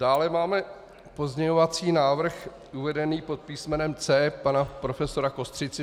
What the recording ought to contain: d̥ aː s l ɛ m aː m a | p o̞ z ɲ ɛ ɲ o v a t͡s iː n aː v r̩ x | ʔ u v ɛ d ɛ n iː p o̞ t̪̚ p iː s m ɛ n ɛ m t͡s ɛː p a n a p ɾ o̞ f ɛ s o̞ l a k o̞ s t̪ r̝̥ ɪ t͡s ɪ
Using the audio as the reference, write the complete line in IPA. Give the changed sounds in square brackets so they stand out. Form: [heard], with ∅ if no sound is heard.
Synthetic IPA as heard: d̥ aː [∅] l ɛ m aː m [ɛ] | p o̞ z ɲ ɛ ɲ o v a t͡s iː n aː v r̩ x | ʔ u v ɛ d ɛ n iː p o̞ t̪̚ p iː s m ɛ n ɛ m t͡s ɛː p a n a p ɾ o̞ f ɛ s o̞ [ɾ] a k o̞ s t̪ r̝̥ ɪ t͡s ɪ